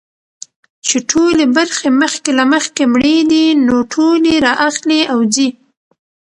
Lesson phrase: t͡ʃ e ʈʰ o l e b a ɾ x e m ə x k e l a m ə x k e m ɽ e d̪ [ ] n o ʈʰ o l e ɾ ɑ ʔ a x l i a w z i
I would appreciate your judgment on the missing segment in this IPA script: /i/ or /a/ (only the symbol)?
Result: i